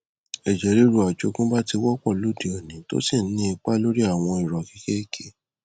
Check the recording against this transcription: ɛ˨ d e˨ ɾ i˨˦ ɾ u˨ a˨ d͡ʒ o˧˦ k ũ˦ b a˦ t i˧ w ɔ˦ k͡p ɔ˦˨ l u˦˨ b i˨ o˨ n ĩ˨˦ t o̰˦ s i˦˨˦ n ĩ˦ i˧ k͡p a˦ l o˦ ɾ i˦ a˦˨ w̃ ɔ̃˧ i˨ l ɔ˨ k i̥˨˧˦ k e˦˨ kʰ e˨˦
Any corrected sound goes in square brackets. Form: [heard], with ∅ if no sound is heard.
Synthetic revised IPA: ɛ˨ [d͡ʒ] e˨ ɾ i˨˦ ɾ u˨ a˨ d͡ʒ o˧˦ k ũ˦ b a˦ t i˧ w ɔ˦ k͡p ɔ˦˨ l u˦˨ [d] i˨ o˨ n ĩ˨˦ t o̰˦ s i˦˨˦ n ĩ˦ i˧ k͡p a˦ l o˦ ɾ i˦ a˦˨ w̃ ɔ̃˧ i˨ [ɾ] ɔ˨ k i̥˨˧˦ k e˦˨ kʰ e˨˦